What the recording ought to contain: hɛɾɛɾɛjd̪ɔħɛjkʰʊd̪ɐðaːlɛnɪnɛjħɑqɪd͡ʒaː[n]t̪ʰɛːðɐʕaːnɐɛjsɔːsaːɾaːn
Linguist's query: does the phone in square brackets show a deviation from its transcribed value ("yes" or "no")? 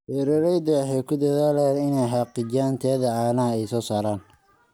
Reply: no